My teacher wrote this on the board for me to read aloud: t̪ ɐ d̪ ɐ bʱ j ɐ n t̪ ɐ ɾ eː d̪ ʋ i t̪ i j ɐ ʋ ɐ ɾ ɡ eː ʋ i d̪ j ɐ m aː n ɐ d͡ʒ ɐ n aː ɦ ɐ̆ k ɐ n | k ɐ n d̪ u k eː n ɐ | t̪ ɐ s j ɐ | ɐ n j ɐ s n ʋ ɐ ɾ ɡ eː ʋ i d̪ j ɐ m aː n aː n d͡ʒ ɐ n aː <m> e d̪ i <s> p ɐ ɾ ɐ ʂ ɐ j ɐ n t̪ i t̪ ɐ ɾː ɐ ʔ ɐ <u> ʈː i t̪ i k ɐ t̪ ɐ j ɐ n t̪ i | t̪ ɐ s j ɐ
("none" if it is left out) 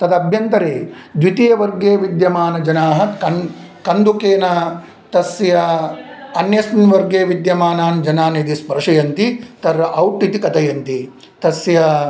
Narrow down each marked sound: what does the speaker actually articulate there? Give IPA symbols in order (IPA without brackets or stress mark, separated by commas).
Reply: n, s, w